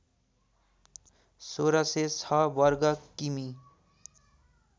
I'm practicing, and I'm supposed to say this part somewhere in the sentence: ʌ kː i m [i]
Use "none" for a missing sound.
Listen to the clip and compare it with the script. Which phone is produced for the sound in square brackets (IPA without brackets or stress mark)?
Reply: i